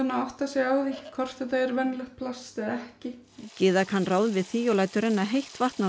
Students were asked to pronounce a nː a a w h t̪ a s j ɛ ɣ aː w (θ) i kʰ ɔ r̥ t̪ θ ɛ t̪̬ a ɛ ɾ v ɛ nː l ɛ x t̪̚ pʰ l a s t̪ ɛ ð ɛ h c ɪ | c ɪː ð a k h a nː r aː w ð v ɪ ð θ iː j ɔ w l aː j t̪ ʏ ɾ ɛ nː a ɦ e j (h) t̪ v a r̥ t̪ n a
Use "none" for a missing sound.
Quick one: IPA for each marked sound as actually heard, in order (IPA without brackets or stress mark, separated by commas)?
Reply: ð, h